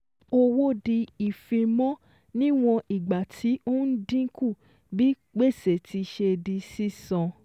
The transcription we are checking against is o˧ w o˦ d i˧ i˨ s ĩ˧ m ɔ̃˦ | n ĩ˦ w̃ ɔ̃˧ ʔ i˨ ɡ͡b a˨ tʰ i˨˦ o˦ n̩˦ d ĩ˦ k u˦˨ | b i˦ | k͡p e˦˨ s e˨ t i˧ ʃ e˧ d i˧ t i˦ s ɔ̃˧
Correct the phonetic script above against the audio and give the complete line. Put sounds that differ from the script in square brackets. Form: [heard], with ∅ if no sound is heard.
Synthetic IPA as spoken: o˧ w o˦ d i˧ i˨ [f] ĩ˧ m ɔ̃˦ | n ĩ˦ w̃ ɔ̃˧ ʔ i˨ ɡ͡b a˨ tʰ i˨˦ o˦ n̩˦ d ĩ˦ k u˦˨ | b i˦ | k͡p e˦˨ s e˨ t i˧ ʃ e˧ d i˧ [s] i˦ s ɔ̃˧